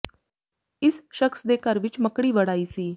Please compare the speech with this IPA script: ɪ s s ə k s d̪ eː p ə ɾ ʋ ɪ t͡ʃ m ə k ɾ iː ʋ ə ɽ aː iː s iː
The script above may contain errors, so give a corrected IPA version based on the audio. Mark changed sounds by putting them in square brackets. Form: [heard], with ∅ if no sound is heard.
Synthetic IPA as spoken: ɪ s [ʃ] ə k s d̪ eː [k] ə ɾ ʋ ɪ t͡ʃ m ə k [ɽ] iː ʋ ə ɽ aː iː s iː